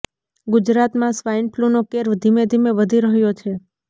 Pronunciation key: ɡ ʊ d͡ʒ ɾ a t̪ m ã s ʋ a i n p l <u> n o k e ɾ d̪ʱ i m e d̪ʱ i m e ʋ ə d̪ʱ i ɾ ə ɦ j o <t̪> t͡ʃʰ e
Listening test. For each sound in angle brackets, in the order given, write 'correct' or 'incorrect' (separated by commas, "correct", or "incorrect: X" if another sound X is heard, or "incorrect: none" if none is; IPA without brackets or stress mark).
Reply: correct, incorrect: none